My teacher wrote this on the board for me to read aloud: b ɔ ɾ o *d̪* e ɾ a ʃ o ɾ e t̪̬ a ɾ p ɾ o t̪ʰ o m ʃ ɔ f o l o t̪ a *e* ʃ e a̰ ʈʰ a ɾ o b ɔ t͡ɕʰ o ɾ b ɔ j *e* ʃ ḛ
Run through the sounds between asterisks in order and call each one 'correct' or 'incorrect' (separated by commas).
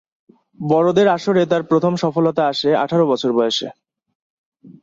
correct, incorrect, correct